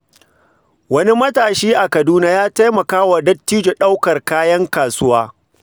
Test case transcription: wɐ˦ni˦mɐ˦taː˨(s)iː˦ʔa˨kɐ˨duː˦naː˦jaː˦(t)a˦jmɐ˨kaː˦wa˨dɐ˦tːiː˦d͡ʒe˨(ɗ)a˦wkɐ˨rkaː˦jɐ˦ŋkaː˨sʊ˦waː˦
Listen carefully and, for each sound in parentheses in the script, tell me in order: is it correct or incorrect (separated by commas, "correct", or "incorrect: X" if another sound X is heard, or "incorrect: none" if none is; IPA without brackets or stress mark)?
incorrect: ʃ, correct, correct